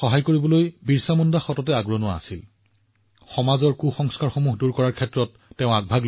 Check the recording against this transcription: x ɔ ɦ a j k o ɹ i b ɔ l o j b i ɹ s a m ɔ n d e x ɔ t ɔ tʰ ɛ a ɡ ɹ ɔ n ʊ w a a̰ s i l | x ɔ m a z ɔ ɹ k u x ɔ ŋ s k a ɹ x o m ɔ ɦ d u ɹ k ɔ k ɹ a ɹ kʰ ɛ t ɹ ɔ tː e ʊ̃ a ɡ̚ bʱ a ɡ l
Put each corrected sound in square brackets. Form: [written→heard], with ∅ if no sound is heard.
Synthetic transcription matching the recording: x ɔ ɦ a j k o ɹ i b ɔ l o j b i ɹ s a m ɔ n d [e→a] x ɔ t ɔ [tʰ→t] ɛ a ɡ ɹ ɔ n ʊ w a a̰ s i l | x ɔ m a z ɔ ɹ k u x ɔ ŋ s k a ɹ x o m [ɔ→u] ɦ d u ɹ k ɔ [k→∅] ɹ a ɹ kʰ ɛ t ɹ ɔ tː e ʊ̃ a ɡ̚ bʱ a ɡ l